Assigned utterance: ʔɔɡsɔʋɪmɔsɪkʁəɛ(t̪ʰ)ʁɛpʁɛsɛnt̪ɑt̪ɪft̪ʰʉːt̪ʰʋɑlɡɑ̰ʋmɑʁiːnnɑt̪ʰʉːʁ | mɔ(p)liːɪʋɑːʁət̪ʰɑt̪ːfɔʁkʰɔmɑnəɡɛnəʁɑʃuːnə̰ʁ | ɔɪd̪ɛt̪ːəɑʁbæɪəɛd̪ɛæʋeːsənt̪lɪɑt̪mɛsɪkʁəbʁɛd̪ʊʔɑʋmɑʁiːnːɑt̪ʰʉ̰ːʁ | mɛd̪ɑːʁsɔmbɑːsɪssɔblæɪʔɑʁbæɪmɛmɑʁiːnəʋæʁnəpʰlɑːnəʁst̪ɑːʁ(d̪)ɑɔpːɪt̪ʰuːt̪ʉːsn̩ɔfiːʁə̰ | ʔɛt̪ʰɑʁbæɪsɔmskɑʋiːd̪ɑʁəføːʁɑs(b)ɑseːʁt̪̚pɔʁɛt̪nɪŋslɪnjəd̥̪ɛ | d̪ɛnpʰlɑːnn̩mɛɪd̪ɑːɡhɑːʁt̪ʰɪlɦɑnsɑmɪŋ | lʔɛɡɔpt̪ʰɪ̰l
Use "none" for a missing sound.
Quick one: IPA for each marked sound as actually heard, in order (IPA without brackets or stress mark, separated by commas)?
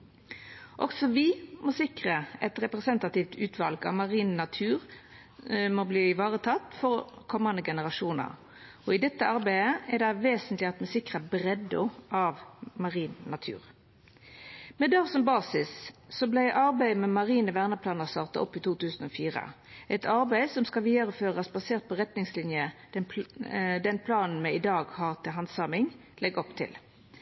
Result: t̪, b, t̪, b